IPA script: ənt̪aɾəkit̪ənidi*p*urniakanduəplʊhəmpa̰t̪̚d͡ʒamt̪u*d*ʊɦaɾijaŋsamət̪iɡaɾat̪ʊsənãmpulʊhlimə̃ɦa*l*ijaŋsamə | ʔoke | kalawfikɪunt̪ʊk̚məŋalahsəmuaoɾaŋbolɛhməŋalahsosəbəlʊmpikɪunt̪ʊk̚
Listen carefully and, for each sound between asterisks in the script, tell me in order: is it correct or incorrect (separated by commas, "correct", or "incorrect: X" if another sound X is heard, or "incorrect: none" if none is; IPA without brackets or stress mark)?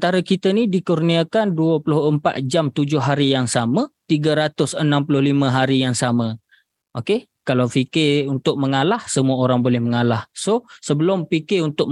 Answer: incorrect: k, incorrect: d͡ʒ, incorrect: ɾ